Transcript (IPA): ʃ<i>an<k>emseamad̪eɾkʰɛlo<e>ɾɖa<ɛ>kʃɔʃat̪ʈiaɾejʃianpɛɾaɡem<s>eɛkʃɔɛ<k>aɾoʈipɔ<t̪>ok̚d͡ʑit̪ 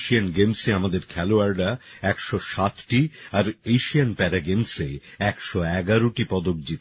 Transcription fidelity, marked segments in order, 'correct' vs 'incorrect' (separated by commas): correct, incorrect, incorrect, correct, correct, incorrect, incorrect